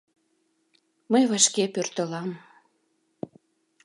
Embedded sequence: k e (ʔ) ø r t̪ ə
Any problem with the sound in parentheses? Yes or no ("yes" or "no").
yes